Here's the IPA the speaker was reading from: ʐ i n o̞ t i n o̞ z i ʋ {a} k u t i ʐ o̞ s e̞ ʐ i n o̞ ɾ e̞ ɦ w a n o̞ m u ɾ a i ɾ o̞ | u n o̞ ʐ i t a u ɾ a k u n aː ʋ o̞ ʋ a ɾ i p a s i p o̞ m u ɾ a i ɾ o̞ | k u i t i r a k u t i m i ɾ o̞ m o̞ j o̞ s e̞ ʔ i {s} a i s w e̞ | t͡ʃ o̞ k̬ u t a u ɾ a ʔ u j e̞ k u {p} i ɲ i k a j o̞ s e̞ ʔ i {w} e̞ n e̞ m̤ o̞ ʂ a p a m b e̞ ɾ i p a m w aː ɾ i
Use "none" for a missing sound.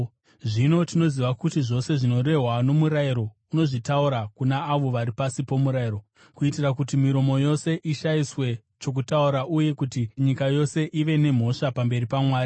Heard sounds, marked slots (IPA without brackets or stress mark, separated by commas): a, ʃ, t, ʋ